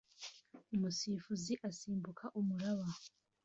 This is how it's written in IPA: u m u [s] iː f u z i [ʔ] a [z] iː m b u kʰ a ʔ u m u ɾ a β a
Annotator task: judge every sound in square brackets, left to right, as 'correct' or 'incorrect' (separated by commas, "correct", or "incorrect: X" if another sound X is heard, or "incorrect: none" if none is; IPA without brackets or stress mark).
correct, correct, incorrect: s